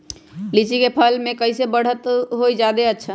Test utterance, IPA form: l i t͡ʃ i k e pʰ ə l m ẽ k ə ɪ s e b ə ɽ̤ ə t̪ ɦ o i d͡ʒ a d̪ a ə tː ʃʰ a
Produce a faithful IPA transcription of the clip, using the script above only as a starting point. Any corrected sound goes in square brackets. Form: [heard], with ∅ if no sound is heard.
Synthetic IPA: l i t͡ʃ i k e pʰ ə l m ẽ k ə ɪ s e b ə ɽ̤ ə t̪ ɦ o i d͡ʒ a d̪ [e] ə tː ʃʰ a

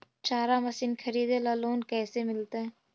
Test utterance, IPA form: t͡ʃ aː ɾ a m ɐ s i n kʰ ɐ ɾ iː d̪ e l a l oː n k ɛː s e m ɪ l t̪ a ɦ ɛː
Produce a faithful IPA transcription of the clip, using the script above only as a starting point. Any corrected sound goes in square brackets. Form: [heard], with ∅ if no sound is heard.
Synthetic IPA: t͡ʃ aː ɾ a m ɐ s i n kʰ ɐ ɾ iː d̪ e l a l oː n k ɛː s e m ɪ l t̪ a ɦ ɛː

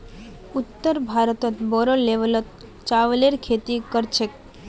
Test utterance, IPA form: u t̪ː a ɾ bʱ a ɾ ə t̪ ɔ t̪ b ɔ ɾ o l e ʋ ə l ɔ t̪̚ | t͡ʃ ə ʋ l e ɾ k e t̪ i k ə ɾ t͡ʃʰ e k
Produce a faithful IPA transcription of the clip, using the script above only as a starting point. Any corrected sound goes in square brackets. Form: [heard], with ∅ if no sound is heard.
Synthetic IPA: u t̪ː [ə] ɾ bʱ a ɾ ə t̪ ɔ t̪ b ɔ ɾ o l e ʋ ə l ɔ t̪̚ | t͡ʃ [a] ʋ l e ɾ [kʰ] e t̪ i k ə ɾ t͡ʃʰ e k

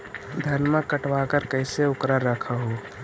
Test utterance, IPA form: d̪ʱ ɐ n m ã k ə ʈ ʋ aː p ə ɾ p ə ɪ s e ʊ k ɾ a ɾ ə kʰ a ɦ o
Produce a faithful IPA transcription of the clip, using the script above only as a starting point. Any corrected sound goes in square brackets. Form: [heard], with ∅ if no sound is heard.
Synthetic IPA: d̪ʱ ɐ n m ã k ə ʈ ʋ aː [k] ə ɾ [k] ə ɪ s e ʊ k ɾ a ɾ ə kʰ a ɦ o

